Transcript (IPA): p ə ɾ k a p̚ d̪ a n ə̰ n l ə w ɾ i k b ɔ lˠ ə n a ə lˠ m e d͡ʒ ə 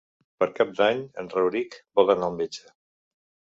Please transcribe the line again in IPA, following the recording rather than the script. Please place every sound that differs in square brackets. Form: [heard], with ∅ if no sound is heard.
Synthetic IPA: p ə ɾ k a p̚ d̪ a [ɲ] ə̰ n [r] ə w ɾ i k b ɔ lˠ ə n a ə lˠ m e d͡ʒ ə